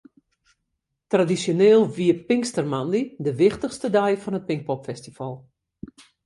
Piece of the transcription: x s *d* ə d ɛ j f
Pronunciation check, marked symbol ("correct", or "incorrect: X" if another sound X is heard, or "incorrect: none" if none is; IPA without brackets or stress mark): incorrect: t